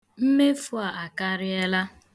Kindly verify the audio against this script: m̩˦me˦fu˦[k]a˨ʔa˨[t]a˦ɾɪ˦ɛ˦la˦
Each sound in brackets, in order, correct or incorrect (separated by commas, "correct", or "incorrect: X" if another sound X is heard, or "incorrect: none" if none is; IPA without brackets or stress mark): incorrect: none, incorrect: k